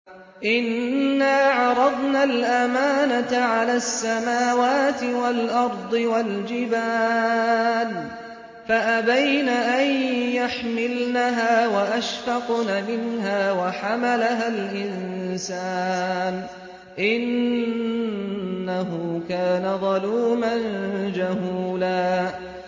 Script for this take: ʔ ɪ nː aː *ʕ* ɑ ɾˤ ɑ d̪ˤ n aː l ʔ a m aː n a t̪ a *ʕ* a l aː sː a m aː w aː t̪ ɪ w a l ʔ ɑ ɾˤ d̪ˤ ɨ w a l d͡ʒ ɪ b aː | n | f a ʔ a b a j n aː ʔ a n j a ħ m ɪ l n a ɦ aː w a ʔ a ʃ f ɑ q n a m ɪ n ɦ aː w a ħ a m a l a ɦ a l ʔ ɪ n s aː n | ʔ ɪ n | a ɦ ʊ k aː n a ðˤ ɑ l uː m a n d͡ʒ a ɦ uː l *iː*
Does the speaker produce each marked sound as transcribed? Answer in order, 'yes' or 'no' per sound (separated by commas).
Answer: yes, yes, no